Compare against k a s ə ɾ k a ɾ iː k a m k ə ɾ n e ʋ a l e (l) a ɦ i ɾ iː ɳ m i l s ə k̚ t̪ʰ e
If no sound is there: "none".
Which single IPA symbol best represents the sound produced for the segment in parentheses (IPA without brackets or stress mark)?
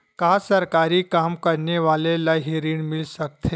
l